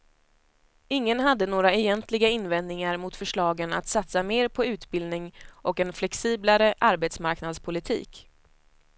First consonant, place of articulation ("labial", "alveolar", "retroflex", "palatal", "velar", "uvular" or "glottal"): velar